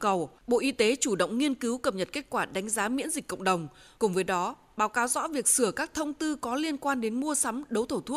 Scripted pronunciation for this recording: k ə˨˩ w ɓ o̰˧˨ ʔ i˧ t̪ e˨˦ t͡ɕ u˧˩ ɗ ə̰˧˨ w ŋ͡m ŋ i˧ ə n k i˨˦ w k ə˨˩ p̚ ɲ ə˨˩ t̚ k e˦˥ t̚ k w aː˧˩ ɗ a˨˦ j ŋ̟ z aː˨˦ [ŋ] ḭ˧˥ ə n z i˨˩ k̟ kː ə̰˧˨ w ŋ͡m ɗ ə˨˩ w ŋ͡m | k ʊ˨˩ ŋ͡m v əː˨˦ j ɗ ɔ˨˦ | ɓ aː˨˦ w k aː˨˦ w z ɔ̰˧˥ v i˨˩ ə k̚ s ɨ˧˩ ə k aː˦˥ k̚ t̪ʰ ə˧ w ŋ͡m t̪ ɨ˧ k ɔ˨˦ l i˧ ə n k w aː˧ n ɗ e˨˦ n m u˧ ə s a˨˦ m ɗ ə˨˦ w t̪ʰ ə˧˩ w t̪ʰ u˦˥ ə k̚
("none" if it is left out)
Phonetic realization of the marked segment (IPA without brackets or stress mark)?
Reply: m